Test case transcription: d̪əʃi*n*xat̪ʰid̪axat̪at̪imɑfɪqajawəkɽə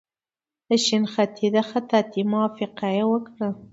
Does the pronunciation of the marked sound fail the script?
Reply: no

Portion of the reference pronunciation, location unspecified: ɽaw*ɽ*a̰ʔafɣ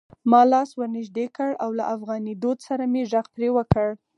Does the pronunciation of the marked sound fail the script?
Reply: yes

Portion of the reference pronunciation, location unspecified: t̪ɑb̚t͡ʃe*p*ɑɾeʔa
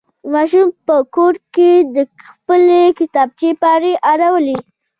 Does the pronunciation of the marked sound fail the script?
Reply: no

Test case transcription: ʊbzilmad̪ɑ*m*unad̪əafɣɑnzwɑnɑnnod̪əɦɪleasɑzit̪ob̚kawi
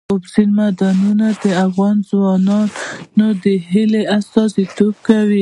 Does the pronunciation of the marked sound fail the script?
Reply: yes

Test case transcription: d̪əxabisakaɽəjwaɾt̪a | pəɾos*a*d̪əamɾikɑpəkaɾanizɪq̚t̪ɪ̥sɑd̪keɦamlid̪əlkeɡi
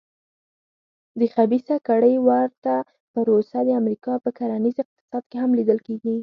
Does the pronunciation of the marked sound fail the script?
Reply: no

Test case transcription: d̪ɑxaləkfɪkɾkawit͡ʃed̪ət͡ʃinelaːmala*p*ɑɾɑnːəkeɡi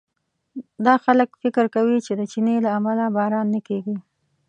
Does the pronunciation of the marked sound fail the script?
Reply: yes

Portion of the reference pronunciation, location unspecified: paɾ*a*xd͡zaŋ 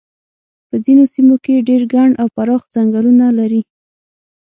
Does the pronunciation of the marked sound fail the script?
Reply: yes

